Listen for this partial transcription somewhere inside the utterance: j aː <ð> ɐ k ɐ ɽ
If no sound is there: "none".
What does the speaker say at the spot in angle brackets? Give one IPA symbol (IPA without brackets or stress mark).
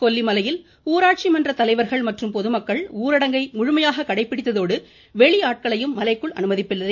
ɣ